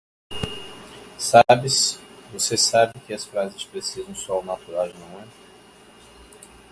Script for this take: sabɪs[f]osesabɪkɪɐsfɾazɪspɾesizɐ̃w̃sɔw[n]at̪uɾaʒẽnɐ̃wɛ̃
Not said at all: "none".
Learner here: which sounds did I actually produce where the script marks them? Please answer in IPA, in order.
v, n

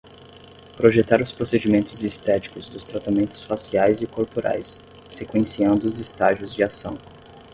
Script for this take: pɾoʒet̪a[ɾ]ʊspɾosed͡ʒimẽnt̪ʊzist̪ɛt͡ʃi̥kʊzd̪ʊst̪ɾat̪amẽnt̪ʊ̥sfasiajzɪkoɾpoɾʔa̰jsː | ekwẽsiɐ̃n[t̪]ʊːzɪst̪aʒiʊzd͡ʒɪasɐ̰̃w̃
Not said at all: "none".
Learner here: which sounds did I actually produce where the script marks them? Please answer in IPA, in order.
ɾ, d̪

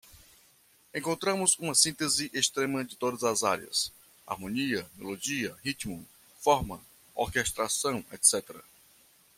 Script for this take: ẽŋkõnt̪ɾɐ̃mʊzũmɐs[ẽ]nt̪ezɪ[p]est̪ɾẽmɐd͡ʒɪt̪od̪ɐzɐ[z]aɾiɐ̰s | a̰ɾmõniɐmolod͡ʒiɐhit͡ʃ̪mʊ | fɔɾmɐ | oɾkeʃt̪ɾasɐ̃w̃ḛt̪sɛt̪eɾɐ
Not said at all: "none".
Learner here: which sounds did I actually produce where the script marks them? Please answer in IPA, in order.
ĩ, ʔ, z

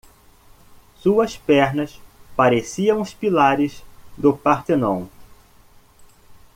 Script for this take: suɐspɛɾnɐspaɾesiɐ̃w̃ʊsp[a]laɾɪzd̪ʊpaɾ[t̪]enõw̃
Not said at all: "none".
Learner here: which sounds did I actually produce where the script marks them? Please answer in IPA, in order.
i, t̪

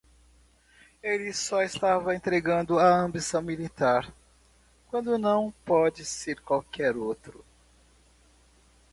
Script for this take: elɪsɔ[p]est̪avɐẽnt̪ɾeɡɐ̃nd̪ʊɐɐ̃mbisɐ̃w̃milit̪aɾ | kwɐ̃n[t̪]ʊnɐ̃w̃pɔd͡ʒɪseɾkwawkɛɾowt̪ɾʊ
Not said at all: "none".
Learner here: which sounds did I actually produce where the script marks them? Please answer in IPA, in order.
none, d̪

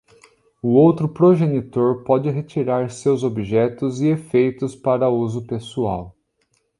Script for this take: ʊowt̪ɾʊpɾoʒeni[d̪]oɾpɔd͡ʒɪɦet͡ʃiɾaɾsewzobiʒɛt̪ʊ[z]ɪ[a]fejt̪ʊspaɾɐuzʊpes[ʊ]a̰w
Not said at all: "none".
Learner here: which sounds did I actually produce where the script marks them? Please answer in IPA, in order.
t̪, z, e, u

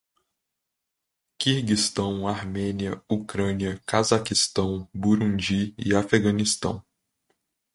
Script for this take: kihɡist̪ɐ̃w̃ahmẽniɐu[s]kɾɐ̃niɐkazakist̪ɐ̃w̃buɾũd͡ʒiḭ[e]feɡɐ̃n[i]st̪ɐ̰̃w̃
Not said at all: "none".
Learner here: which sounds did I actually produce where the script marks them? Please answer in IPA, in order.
none, a, i

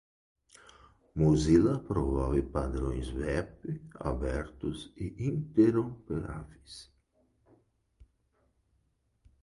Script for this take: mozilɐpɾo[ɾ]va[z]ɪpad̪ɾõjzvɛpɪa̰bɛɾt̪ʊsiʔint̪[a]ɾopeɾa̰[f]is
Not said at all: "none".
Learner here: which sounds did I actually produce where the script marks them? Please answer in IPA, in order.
none, v, e, v

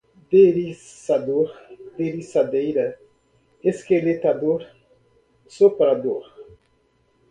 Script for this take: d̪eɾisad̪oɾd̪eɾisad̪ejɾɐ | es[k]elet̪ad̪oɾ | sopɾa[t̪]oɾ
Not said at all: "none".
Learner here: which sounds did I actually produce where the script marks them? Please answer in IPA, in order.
k, d̪

